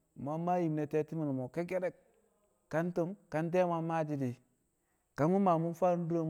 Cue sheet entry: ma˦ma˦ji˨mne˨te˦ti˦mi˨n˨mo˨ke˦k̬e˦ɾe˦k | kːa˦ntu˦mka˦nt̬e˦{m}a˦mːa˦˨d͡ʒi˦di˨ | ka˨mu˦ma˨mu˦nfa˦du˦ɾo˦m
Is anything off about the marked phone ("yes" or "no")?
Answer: no